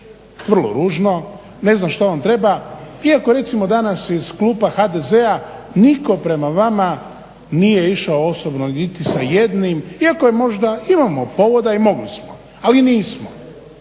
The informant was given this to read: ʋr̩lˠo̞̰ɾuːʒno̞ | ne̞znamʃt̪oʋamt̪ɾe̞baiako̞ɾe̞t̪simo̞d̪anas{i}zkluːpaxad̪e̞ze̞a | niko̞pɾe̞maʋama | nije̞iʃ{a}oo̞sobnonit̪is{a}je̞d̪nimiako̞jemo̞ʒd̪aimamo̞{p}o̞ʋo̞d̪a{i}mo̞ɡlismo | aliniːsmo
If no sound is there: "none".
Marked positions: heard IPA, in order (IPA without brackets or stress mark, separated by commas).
i, a, a, p, i